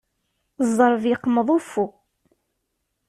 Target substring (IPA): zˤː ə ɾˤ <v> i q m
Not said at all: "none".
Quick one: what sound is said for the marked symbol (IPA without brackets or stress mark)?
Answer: v